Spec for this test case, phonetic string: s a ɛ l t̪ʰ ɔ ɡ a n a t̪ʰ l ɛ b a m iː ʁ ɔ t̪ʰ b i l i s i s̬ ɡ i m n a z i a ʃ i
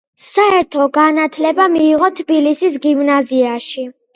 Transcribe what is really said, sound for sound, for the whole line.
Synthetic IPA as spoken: s a ɛ ɾ t̪ʰ ɔ ɡ a n a t̪ʰ l ɛ b a m iː ʁ ɔ t̪ʰ b i l i s i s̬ ɡ i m n a z i a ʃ i

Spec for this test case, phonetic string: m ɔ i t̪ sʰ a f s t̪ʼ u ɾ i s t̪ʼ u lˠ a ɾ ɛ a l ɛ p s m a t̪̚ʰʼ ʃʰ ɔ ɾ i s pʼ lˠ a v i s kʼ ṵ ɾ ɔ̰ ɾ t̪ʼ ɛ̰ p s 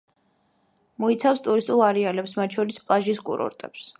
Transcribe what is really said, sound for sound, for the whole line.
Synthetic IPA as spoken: m ɔ i t̪ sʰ a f s t̪ʼ u ɾ i s t̪ʼ u lˠ a ɾ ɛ a l ɛ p s m a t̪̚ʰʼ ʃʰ ɔ ɾ i s pʼ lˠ a ʒ i s kʼ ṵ ɾ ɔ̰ ɾ t̪ʼ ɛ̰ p s

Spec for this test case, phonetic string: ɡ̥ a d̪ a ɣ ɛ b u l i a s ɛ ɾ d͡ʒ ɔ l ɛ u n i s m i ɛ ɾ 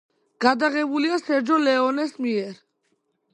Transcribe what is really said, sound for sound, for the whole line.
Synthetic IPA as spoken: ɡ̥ a d̪ a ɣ ɛ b u l i a s ɛ ɾ d͡ʒ ɔ l ɛ ɔ n ɛ s m i ɛ ɾ

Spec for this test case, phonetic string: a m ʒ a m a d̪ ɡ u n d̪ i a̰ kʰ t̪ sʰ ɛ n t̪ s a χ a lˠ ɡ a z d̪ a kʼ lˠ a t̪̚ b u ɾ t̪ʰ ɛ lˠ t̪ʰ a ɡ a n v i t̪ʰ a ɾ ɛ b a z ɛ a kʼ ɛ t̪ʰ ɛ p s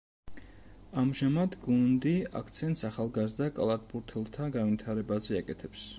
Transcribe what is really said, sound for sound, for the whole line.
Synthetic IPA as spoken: a m ʒ a m a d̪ ɡ u n d̪ i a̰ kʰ t̪ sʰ ɛ n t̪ s a χ a lˠ ɡ a z d̪ a kʼ lˠ a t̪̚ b u ɾ t̪ʰ ɛ lˠ t̪ʰ a ɡ a n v i t̪ʰ a ɾ ɛ b a z ɛ a kʼ ɛ t̪ʰ ɛ p s

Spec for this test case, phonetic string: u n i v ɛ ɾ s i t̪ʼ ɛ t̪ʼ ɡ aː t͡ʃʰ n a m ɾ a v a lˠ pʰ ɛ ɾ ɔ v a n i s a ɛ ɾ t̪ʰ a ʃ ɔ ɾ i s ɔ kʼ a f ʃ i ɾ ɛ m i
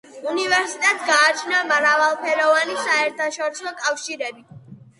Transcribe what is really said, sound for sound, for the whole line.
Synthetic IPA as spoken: u n i v ɛ ɾ s i t̪ʼ ɛ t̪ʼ ɡ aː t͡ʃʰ n a m ɾ a v a lˠ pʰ ɛ ɾ ɔ v a n i s a ɛ ɾ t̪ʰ a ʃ ɔ ɾ i s ɔ kʼ a f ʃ i ɾ ɛ b i

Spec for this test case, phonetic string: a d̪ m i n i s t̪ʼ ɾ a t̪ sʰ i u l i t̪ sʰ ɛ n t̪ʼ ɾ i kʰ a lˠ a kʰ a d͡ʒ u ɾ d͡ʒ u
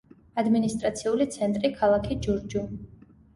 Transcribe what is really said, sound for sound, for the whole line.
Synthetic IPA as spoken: a d̪ m i n i s t̪ʼ ɾ a t̪ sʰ i u l i t̪ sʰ ɛ n t̪ʼ ɾ i kʰ a lˠ a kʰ i d͡ʒ u ɾ d͡ʒ u

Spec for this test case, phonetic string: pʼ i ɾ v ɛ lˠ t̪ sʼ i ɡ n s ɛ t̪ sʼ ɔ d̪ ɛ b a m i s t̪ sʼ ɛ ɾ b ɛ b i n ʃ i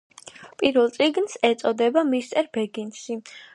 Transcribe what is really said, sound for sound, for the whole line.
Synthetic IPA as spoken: pʼ i ɾ v ɛ lˠ t̪ sʼ i ɡ n s ɛ t̪ sʼ ɔ d̪ ɛ b a m i s t̪ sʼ ɛ ɾ b ɛ ɡ i n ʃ i

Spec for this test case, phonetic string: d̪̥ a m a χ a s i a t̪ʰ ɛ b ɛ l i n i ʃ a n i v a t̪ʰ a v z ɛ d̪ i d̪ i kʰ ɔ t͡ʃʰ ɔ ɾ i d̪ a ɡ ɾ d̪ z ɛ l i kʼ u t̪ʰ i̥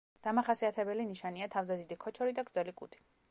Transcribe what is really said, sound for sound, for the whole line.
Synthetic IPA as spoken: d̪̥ a m a χ a s i a t̪ʰ ɛ b ɛ l i n i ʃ a n i a t̪ʰ a v z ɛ d̪ i d̪ i kʰ ɔ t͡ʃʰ ɔ ɾ i d̪ a ɡ ɾ d̪ z ɛ l i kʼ u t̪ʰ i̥

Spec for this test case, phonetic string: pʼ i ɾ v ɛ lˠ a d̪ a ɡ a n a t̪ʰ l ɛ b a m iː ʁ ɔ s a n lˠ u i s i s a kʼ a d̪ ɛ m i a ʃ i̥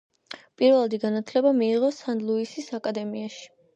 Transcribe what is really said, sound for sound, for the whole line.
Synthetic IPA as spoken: pʼ i ɾ v ɛ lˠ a d̪ i ɡ a n a t̪ʰ l ɛ b a m iː ʁ ɔ s a n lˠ u i s i s a kʼ a d̪ ɛ m i a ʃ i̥

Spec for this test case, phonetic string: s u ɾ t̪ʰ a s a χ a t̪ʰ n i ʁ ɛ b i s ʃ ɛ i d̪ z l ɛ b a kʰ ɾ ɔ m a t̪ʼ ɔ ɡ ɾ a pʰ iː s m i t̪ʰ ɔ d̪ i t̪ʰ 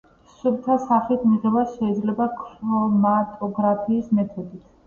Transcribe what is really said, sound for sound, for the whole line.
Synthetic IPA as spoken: s u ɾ t̪ʰ a s a χ i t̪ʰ m i ʁ ɛ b a s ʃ ɛ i d̪ z l ɛ b a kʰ ɾ ɔ m a t̪ʼ ɔ ɡ ɾ a pʰ iː s m ɛ t̪ʰ ɔ d̪ i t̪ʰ

